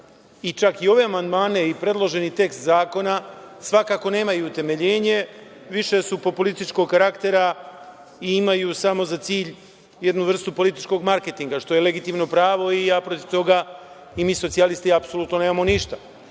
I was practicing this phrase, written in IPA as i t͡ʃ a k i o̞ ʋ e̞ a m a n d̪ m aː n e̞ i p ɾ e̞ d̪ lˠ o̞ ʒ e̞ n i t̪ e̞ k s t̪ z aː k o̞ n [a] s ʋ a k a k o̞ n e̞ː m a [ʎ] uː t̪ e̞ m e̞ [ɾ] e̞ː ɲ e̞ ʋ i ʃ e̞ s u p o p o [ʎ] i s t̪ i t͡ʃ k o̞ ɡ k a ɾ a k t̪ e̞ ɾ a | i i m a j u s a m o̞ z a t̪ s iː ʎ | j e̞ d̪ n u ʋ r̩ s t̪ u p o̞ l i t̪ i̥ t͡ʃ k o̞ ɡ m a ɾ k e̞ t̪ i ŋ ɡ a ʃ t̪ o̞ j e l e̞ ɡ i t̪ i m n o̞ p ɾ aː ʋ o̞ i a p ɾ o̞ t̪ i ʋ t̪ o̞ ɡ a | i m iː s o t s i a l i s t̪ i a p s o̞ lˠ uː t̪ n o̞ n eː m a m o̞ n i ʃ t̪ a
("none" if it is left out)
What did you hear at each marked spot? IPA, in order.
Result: a, j, ʎ, l

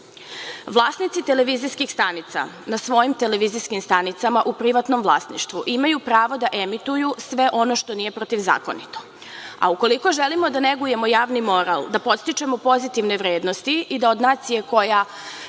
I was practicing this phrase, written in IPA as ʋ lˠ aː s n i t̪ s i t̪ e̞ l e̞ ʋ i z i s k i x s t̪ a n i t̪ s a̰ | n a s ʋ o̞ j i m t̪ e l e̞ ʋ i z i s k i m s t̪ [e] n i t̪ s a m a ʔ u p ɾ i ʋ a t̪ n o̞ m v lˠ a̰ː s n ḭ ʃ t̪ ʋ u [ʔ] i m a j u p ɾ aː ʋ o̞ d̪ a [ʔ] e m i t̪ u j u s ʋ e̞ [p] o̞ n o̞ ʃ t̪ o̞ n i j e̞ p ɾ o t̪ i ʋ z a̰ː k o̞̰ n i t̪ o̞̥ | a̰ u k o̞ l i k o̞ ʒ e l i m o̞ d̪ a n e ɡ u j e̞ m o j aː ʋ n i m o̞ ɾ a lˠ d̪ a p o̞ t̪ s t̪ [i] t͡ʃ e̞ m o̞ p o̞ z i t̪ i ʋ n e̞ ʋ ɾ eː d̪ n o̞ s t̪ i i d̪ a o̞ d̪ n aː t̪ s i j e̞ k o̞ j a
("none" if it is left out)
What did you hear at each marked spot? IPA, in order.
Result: a, ʔ, ʔ, ʔ, i

